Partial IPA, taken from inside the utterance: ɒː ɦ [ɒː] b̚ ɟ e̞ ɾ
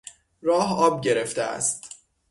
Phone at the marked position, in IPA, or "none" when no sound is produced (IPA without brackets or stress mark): ɒː